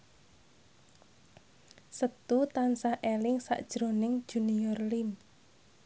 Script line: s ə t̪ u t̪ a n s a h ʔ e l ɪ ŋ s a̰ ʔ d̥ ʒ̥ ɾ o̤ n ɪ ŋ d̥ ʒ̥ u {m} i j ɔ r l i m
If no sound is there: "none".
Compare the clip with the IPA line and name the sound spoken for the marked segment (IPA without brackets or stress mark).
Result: n